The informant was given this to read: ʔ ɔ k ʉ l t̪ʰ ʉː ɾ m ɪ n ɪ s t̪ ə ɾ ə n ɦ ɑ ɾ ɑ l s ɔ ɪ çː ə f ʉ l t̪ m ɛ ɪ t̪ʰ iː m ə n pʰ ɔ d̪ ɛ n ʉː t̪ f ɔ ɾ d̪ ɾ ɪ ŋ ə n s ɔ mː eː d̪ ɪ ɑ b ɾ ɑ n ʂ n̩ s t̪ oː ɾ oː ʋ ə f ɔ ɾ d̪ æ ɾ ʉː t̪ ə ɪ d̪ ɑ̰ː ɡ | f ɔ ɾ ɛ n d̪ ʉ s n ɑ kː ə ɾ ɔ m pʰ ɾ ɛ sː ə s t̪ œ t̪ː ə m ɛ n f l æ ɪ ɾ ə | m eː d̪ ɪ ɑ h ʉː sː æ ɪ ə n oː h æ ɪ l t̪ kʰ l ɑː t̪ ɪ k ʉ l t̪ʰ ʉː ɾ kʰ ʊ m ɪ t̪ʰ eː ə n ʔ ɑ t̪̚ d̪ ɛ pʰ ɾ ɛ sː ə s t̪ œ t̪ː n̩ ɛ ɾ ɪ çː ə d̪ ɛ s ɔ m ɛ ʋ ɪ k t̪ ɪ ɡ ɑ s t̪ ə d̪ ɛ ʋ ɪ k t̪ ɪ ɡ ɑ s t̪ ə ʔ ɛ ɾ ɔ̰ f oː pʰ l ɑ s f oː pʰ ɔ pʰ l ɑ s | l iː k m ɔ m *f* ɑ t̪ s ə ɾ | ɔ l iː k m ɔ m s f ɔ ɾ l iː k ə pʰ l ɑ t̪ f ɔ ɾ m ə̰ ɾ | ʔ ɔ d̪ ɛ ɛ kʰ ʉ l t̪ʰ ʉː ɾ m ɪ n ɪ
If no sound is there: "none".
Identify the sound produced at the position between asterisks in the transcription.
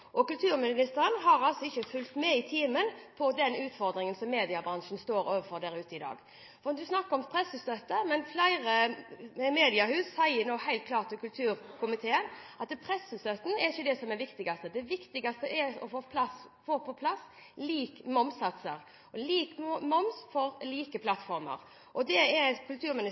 s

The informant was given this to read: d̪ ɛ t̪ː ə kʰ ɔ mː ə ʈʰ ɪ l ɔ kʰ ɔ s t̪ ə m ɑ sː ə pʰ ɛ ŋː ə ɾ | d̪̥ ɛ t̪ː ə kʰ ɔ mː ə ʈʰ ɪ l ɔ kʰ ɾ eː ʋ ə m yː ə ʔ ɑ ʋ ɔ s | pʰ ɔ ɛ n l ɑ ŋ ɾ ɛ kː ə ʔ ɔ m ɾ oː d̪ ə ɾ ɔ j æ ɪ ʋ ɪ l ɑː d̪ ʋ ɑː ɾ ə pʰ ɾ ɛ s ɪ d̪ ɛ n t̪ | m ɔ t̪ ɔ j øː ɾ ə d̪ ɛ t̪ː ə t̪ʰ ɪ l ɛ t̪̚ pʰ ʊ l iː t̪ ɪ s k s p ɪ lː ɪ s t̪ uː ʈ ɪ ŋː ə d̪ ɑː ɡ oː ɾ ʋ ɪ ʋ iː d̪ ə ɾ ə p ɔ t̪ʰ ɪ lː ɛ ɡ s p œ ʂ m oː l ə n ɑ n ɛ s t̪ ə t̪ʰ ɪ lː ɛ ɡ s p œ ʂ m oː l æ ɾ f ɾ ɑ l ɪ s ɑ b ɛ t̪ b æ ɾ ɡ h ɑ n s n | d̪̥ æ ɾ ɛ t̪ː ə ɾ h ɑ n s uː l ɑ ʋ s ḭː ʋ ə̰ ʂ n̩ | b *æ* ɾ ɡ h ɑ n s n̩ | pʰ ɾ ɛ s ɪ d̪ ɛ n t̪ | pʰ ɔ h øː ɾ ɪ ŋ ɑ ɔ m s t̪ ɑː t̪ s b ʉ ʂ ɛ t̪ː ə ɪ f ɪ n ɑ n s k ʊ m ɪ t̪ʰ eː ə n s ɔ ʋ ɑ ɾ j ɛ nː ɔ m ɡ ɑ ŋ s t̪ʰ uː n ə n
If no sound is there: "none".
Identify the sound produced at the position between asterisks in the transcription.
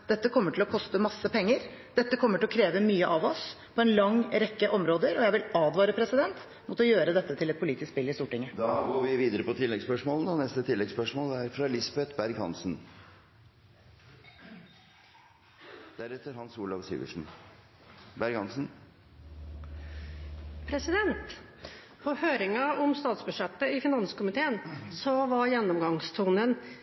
æ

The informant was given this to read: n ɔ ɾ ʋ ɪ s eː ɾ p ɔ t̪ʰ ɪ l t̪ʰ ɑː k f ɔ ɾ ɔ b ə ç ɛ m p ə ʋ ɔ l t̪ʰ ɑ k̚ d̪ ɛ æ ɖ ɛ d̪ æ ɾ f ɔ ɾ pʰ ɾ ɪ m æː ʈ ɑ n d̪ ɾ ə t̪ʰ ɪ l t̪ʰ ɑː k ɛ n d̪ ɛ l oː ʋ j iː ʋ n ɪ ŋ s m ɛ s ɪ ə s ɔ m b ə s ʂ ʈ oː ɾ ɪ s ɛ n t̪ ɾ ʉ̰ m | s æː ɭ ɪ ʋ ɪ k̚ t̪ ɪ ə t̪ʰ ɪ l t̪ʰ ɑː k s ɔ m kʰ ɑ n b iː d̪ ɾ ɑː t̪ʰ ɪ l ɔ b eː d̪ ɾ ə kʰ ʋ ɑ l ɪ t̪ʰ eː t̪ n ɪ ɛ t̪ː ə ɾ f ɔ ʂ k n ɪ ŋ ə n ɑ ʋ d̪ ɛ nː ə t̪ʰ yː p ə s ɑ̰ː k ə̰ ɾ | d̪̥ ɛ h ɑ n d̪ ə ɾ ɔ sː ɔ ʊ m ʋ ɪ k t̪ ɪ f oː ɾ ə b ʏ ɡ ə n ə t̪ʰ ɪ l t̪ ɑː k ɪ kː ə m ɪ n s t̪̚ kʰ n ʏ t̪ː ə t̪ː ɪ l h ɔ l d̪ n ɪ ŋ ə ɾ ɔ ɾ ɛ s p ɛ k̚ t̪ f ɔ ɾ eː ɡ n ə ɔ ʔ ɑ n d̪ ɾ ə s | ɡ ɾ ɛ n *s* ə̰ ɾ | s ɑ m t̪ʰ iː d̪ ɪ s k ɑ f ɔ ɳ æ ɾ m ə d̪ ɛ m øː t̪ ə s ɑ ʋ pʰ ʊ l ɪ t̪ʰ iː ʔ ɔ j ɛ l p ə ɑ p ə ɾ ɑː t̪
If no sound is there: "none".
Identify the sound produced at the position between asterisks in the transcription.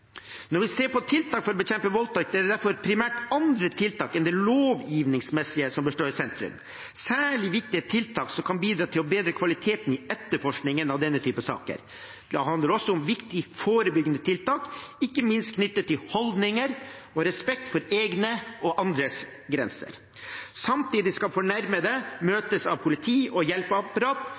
s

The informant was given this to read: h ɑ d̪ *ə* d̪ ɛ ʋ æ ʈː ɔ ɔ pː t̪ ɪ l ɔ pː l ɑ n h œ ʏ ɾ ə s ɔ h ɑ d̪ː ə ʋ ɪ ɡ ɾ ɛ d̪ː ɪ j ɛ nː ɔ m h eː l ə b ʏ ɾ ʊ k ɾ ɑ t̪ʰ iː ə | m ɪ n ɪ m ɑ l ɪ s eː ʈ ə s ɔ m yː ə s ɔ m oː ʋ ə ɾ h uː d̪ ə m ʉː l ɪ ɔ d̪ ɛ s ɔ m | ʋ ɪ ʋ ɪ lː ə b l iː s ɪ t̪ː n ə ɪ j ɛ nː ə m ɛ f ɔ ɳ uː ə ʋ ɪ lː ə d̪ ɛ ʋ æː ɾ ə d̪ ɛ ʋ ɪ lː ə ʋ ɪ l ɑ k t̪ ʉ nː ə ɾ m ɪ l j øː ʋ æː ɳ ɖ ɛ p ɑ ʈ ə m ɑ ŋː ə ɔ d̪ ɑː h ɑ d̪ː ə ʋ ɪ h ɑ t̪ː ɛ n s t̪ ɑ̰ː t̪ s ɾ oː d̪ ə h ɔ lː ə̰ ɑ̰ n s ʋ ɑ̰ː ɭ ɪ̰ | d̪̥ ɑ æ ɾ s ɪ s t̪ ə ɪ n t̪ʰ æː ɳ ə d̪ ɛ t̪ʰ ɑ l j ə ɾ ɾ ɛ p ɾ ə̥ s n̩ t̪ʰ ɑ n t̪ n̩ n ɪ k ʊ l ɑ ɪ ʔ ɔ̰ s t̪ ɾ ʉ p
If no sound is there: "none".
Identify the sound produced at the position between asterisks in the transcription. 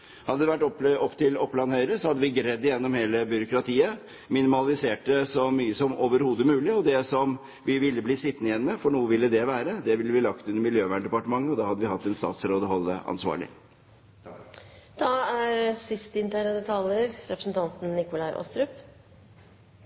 ə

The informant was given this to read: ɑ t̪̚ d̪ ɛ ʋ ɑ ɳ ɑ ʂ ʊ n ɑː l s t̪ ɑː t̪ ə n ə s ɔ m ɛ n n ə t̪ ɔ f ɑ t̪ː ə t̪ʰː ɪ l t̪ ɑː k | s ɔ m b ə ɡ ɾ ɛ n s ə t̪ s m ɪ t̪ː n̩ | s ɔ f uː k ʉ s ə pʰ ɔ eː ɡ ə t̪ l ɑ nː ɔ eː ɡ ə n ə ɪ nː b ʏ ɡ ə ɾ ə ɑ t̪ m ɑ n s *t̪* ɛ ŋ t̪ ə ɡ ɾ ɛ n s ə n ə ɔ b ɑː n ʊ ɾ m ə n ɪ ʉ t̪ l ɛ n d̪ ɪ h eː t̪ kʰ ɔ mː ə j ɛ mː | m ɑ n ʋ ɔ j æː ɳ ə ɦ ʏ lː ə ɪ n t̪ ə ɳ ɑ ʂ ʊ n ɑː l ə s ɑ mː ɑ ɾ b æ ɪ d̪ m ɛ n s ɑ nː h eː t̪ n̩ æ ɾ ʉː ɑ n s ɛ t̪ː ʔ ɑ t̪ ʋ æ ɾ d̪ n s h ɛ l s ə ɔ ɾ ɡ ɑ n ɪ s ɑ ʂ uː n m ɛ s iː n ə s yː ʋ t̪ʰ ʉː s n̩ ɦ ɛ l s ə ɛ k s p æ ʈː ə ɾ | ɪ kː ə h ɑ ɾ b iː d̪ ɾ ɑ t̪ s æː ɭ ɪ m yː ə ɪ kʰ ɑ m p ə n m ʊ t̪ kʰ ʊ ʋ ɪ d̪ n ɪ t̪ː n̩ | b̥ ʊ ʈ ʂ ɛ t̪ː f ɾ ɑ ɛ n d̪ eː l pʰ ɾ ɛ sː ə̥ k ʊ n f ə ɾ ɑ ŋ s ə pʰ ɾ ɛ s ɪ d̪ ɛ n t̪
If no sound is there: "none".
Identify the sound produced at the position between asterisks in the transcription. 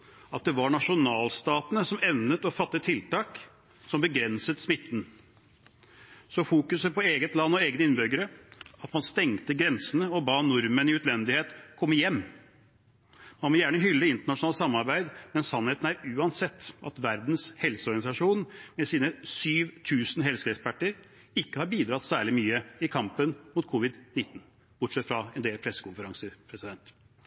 t̪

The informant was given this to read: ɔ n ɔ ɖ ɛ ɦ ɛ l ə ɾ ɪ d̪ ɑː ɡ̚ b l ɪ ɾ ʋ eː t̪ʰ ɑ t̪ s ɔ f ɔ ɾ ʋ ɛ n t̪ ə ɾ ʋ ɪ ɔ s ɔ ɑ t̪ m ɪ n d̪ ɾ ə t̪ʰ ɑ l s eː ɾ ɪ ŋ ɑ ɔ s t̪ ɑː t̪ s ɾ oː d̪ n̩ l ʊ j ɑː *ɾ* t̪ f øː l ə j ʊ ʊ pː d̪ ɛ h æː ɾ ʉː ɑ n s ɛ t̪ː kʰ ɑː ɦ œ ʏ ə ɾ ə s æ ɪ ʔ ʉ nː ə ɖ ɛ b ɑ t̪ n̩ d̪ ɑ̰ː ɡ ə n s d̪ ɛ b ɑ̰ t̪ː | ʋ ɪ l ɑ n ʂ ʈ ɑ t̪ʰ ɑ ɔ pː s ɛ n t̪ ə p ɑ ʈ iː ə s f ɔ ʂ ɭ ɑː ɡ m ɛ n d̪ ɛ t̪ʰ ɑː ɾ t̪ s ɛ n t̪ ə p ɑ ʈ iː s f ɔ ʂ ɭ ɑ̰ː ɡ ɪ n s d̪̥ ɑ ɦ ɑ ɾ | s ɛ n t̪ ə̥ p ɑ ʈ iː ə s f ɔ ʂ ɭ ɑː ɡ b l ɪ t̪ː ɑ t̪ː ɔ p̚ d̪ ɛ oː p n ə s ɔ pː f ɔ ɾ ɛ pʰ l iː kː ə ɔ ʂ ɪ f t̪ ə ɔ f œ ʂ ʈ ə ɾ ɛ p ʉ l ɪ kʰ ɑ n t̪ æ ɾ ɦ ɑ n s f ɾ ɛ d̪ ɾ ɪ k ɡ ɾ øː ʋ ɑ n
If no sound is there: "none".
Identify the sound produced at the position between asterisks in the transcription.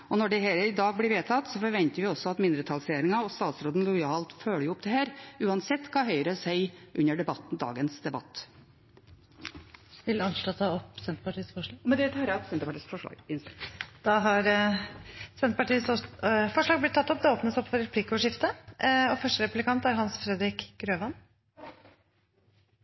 l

